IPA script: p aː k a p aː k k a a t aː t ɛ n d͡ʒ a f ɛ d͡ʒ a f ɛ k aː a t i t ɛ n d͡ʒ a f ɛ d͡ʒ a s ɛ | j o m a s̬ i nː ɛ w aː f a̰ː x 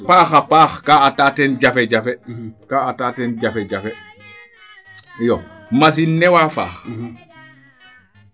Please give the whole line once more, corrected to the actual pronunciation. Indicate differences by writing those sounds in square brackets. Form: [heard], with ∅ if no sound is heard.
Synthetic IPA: p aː [x] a p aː [x] k a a t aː t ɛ n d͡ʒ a f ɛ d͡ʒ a f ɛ k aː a t [a] t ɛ n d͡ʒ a f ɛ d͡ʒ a [f] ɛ | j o m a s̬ i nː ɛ w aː f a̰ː x